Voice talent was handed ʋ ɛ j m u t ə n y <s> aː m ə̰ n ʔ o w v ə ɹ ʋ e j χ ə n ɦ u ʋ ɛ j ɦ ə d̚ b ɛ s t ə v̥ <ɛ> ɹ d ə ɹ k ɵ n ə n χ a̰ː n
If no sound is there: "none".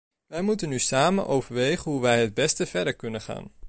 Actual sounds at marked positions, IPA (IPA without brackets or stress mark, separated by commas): s, ɛ